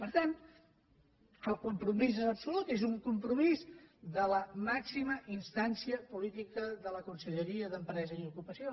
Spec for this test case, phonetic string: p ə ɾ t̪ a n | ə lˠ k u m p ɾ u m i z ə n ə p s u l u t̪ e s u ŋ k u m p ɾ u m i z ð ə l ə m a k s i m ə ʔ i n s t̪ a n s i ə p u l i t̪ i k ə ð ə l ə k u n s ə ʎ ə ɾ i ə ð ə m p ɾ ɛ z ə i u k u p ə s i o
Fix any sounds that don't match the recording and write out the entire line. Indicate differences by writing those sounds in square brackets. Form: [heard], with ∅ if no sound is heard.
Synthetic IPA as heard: p ə ɾ t̪ a n | ə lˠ k u m p ɾ u m i z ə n ə p s u l u t̪ e [z] u ŋ k u m p ɾ u m i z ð ə l ə m a k s i m ə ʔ i n s t̪ a n s i ə p u l i t̪ i k ə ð ə l ə k u n s ə ʎ ə ɾ i ə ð ə m p ɾ ɛ z ə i u k u p ə s i o